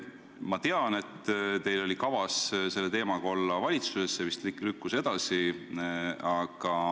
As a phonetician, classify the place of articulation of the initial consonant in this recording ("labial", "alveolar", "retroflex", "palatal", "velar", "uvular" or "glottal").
labial